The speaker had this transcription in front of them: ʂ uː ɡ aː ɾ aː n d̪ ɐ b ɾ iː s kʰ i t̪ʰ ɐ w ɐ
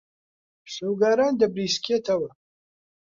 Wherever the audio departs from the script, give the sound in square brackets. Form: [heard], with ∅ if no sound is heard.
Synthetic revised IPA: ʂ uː ɡ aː ɾ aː n d̪ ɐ b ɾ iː s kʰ [e] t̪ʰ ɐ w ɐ